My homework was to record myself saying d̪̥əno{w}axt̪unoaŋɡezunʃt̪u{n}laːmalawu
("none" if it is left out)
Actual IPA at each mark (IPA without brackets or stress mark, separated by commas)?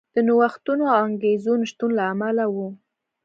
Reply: w, n